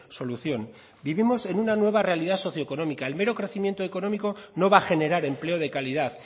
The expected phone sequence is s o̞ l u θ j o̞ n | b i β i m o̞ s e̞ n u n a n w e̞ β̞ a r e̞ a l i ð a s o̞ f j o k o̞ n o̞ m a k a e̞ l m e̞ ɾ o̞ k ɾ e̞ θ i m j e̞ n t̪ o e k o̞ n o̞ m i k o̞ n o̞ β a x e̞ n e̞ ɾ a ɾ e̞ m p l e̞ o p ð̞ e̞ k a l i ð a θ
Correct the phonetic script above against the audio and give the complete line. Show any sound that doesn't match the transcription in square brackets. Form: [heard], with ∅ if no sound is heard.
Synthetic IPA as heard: s o̞ l u θ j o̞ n | b i β i m o̞ s e̞ n u n a n w e̞ β̞ a r e̞ a l i ð a s o̞ [θ] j o k o̞ n o̞ m [i] k a e̞ l m e̞ ɾ o̞ k ɾ e̞ θ i m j e̞ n t̪ o e k o̞ n o̞ m i k o̞ n o̞ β a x e̞ n e̞ ɾ a ɾ e̞ m p l e̞ o [∅] ð̞ e̞ k a l i ð a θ